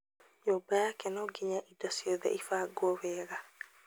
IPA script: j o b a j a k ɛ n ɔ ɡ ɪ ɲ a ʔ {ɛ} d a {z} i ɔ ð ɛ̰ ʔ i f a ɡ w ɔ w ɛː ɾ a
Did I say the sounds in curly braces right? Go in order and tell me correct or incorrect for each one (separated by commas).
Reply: incorrect, incorrect